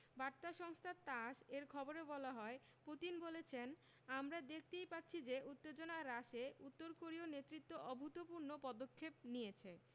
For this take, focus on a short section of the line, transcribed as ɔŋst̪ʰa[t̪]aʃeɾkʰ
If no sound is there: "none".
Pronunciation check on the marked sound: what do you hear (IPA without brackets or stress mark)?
t̪